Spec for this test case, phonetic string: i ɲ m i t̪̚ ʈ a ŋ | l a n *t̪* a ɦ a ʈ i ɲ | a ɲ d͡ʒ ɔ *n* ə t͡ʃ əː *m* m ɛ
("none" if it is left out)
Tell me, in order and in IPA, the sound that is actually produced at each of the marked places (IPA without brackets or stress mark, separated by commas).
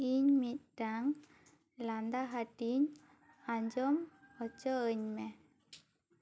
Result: d̪, m, ɲ